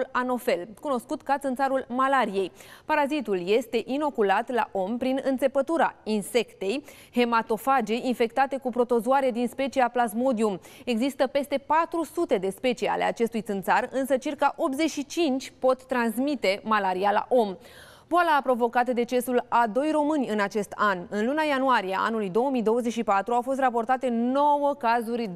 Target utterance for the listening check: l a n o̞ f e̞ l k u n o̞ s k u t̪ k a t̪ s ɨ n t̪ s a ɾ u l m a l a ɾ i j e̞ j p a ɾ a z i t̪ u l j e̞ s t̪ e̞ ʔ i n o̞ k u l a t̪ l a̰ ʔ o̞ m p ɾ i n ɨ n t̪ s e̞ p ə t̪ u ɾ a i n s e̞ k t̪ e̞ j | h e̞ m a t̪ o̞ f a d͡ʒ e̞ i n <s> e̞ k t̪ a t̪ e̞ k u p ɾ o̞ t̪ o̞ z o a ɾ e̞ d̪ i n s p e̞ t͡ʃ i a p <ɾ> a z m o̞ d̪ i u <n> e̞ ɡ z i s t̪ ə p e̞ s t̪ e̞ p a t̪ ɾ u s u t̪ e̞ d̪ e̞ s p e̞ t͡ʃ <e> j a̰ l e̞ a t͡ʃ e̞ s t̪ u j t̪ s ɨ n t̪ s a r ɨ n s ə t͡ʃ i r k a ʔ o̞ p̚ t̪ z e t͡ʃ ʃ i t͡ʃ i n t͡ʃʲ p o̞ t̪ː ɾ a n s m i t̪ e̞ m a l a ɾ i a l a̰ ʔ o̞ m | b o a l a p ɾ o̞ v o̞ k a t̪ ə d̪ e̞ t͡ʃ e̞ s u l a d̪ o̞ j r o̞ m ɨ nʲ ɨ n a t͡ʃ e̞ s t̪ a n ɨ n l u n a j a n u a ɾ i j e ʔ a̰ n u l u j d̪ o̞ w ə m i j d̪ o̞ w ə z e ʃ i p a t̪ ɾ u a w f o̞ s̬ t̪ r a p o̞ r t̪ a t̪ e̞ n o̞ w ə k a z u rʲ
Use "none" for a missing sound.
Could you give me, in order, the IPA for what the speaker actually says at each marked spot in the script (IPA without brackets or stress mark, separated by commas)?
f, l, m, i